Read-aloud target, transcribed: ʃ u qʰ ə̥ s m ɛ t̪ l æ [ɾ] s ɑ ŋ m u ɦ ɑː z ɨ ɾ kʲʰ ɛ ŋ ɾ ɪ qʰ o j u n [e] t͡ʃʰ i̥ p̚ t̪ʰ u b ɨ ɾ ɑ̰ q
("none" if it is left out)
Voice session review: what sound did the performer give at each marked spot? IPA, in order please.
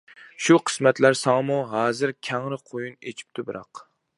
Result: ɾ, e

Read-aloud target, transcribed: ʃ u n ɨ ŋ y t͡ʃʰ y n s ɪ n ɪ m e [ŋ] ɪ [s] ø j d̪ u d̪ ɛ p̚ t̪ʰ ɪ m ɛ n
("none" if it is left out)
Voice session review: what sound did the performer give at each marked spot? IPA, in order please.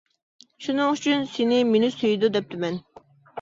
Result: n, s

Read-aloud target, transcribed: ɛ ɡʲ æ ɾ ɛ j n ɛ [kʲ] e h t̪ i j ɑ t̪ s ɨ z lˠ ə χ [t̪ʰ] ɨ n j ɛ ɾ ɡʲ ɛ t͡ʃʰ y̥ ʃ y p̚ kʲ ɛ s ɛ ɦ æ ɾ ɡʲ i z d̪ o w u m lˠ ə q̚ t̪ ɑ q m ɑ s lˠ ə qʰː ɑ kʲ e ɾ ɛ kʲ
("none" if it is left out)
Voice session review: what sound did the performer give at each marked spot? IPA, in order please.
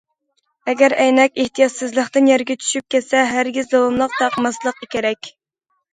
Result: kʲ, t̪

